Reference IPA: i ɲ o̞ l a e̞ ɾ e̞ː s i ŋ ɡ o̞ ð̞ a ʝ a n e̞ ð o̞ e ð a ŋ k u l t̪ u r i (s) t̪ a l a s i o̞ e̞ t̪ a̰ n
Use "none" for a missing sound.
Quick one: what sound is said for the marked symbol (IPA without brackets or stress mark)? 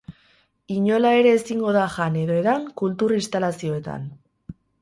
s